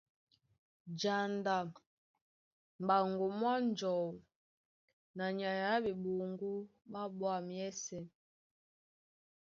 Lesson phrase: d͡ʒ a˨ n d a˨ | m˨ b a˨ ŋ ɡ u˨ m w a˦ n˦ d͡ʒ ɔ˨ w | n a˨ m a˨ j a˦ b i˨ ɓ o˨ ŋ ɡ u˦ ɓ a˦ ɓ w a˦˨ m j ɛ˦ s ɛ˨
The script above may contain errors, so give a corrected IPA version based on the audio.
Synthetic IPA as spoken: d͡ʒ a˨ n d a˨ | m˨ b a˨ ŋ ɡ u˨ m w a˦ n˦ d͡ʒ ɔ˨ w | n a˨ ɲ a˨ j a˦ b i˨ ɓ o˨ ŋ ɡ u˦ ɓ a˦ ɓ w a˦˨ m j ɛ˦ s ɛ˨